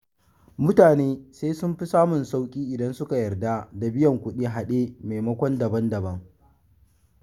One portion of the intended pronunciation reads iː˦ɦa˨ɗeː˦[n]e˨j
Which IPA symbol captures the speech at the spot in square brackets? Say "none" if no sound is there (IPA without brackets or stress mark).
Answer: m